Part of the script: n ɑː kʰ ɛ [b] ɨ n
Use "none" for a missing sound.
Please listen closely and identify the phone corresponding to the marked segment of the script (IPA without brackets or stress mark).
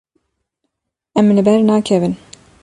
v